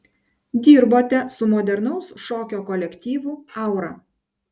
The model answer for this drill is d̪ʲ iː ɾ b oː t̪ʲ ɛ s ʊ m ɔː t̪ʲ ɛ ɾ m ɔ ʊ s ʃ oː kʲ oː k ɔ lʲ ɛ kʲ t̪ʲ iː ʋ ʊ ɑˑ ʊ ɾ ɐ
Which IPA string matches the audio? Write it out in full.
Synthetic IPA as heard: d̪ʲ iː ɾ b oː t̪ʲ ɛ s ʊ m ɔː d̪ʲ ɛ ɾ n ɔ ʊ s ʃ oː kʲ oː k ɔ lʲ ɛ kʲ t̪ʲ iː ʋ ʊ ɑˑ ʊ ɾ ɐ

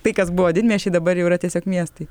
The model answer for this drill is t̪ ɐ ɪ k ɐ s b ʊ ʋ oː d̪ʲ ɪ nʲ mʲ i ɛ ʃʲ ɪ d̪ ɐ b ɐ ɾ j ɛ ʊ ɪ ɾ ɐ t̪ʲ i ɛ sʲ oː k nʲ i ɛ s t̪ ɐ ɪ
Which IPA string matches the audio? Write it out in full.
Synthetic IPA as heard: t̪ ɐ ɪ k ɐ s b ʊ ʋ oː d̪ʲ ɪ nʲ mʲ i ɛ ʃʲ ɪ d̪ ɐ b ɐ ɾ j ɛ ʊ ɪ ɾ ɐ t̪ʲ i ɛ sʲ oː k mʲ i ɛ s t̪ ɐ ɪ

